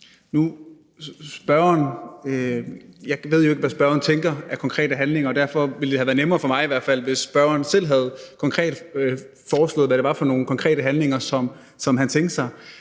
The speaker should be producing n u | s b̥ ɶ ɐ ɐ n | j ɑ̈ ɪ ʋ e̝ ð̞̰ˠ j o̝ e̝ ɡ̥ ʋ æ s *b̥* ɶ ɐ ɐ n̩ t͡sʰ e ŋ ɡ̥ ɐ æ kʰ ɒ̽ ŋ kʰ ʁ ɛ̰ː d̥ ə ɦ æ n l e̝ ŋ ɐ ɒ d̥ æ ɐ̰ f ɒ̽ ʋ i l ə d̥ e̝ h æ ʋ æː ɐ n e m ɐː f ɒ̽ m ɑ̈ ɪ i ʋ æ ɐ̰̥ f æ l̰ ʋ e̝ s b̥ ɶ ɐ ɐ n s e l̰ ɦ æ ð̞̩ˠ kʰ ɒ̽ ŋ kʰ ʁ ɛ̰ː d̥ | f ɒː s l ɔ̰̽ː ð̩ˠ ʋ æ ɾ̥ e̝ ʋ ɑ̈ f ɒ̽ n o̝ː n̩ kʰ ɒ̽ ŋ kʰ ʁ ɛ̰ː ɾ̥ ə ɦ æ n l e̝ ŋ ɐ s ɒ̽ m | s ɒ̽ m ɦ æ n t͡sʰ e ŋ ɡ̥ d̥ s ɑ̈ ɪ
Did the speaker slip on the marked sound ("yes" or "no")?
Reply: no